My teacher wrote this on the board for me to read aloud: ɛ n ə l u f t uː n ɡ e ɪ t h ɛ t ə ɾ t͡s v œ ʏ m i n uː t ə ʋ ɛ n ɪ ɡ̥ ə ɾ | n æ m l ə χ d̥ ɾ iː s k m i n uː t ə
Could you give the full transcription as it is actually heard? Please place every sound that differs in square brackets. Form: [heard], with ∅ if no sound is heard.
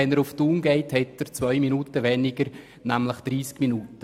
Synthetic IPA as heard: ɛ n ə [ɾ] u f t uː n ɡ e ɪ t h ɛ t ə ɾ t͡s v œ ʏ m i n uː t ə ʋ ɛ n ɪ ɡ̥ ə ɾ | n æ m l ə χ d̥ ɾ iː s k m i n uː t ə